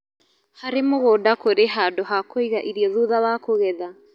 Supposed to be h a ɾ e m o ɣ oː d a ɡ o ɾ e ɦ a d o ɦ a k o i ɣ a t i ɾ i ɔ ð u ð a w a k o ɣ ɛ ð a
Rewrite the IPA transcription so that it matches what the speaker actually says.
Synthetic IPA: h a ɾ e m o ɣ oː d a k o ɾ e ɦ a d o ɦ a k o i ɣ a ʔ i ɾ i ɔ ð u ð a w a k o ɣ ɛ ð a

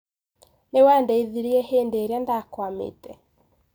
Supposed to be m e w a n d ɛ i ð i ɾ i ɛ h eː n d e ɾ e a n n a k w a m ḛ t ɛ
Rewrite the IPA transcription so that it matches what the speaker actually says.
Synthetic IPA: n e w a n d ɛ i ð i ɾ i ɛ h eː n d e ɾ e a n d a k w a m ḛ t ɛ

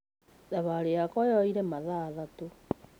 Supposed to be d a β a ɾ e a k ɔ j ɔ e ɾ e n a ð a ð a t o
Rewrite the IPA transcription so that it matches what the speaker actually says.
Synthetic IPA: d a β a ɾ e a k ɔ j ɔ i ɾ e m a ð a ð a t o

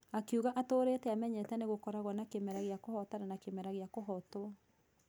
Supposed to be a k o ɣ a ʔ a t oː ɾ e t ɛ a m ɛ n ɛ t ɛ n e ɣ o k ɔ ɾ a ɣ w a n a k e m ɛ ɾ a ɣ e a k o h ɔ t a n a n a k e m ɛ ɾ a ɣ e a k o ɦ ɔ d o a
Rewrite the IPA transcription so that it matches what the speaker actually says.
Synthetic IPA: a k u ɣ a ʔ a t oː ɾ e t ɛ a m ɛ ɲ ɛ t ɛ n e ɣ o k ɔ ɾ a ɣ w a n a k e m ɛ ɾ a ɣ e a k o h ɔ t a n a n a k e m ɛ ɾ a ɣ e a k o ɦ ɔ t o a

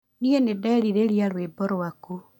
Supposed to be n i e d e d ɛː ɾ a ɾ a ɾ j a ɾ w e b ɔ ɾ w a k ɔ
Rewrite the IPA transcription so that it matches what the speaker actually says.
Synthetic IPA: n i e n e d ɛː ɾ i ɾ e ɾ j a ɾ w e b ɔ ɾ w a k u

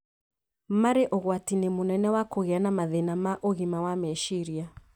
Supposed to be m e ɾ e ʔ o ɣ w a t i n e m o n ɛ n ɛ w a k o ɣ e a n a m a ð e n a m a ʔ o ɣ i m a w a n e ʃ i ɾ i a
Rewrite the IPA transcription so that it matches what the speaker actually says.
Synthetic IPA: m a ɾ e ʔ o ɣ w a t i n e m o n ɛ n ɛ w a k o ɣ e a n a m a ð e n a m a ʔ o ɣ i m a w a m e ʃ i ɾ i a

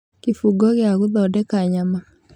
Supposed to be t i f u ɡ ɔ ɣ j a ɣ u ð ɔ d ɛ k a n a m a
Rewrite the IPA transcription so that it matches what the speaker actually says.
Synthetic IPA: k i f u ɡ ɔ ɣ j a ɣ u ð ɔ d ɛ k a ɲ a m a

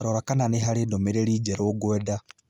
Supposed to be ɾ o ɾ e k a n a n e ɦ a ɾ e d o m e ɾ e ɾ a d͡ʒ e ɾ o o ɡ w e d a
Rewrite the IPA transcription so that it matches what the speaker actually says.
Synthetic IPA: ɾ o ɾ a k a n a n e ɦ a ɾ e d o m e ɾ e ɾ i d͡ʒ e ɾ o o ɡ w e d a

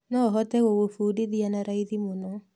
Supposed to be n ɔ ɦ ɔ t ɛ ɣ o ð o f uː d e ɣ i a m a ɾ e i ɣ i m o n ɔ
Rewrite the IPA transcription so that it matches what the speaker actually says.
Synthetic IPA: n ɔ ɦ ɔ t ɛ ɣ o ɣ o f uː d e ð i a n a ɾ a i ð i m o n ɔ

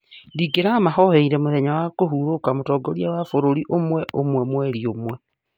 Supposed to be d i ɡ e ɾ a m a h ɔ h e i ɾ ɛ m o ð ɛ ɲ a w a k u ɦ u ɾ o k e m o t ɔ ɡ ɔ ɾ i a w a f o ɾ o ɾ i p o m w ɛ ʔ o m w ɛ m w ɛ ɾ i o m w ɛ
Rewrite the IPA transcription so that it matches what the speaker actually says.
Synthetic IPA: d i ɡ e ɾ a m a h ɔ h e i ɾ ɛ m o ð ɛ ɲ a w a k o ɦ u ɾ o k a m o t ɔ ɡ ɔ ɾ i a w a f o ɾ o ɾ i ʔ o m w ɛ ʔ o m w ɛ m w ɛ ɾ i o m w ɛ

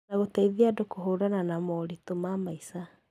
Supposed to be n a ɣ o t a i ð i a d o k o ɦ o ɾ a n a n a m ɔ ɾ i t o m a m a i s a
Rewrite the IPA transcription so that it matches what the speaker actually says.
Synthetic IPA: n a ɣ o t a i ð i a d o k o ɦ o ɾ a n a n a m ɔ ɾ i t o m a m a i s a

